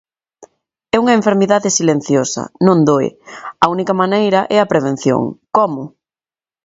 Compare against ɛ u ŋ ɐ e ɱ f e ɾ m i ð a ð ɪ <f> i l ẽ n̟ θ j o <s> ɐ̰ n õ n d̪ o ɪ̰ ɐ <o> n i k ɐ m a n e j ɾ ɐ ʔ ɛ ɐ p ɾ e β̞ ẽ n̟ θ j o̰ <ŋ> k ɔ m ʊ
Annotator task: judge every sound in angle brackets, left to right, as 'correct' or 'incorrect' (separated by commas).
incorrect, correct, incorrect, correct